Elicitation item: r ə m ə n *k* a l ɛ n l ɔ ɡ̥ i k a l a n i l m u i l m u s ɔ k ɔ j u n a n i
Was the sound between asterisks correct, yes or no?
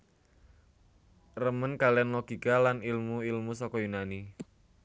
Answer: yes